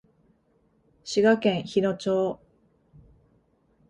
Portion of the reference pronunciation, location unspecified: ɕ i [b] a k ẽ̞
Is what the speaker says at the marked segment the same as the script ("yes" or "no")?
no